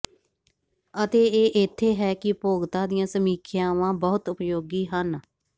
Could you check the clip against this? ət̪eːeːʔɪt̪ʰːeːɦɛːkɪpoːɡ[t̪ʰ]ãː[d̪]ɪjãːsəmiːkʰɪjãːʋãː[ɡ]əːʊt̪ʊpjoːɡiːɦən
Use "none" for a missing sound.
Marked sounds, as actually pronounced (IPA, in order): t̪, d̪, b

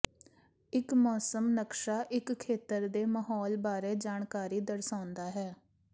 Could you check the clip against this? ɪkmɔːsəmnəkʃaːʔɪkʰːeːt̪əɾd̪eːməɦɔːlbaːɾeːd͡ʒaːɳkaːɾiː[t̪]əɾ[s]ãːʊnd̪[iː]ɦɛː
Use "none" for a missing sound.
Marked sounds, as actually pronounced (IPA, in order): d̪, s, aː

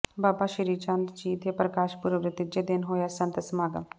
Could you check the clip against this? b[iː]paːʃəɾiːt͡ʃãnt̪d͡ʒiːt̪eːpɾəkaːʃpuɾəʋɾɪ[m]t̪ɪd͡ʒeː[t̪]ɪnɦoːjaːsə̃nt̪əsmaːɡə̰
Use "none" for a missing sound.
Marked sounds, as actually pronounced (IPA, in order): aː, none, d̪

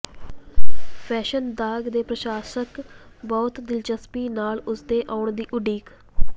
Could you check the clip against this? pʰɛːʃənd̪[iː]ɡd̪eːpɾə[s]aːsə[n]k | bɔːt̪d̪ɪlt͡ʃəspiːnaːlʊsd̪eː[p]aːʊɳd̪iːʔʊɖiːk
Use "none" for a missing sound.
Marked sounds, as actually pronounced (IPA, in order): aː, ʃ, none, ʔ

